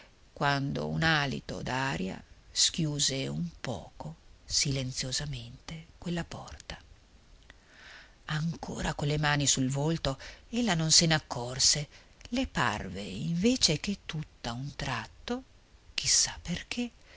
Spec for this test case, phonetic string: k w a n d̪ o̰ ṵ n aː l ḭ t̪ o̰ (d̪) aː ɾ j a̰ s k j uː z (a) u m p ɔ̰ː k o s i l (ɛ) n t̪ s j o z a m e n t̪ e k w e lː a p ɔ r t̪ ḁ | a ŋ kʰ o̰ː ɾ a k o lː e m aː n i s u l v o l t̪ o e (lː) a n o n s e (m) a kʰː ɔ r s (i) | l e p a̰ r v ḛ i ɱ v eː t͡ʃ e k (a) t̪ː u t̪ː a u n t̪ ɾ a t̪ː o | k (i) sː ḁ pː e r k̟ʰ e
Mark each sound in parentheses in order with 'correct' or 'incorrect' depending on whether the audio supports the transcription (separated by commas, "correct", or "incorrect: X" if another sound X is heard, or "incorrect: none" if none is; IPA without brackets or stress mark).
correct, incorrect: e, incorrect: e, correct, incorrect: n, incorrect: e, incorrect: e, correct